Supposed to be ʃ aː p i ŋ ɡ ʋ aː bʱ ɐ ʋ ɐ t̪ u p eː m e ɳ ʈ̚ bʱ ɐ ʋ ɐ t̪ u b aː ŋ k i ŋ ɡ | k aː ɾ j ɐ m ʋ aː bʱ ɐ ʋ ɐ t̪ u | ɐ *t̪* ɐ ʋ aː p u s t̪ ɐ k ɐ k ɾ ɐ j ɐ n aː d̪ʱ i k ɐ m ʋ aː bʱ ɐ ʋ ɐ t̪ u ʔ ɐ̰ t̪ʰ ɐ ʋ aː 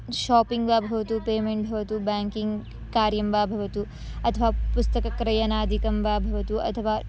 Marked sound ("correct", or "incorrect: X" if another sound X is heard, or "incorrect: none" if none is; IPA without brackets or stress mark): incorrect: t̪ʰ